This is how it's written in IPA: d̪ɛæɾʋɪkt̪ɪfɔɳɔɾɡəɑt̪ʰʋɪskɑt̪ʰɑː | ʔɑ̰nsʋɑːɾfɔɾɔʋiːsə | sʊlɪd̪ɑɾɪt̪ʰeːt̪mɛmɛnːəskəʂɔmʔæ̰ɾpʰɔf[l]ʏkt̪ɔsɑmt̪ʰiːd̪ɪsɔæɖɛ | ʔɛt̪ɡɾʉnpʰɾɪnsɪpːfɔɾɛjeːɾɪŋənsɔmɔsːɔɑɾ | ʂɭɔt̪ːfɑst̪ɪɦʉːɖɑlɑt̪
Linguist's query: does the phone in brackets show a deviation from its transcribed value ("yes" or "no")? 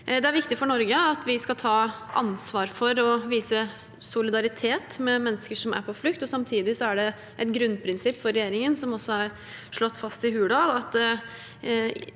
no